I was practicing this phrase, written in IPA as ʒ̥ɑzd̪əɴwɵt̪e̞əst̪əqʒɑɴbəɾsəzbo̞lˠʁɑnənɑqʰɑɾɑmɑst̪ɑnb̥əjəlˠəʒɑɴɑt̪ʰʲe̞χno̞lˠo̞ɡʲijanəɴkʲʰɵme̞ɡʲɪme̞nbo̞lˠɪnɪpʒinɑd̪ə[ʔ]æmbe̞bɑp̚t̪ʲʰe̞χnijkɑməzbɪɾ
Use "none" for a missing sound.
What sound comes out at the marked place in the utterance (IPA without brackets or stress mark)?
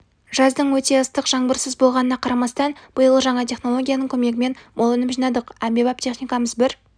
q